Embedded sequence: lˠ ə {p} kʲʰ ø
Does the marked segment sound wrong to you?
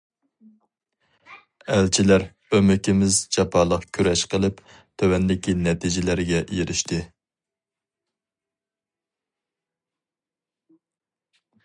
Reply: yes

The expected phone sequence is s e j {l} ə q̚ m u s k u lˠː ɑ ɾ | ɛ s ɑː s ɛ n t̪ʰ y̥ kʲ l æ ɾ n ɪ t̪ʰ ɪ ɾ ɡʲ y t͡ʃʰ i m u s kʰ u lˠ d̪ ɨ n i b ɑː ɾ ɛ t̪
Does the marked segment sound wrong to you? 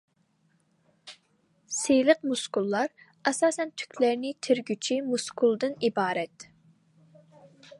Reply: no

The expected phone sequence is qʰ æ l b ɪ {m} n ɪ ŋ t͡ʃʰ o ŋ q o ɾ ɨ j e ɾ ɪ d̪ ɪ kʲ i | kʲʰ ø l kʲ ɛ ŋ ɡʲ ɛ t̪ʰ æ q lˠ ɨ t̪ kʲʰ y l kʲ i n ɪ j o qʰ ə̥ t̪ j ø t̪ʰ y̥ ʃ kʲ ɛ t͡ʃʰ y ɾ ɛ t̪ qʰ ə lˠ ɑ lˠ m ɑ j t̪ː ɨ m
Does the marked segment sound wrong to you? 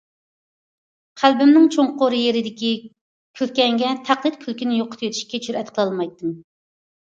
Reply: no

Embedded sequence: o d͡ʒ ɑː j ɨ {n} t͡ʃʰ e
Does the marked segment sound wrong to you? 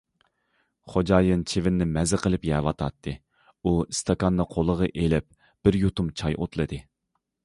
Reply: no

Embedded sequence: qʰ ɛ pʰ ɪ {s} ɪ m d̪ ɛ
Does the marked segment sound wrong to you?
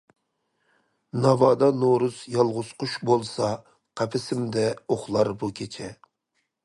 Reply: no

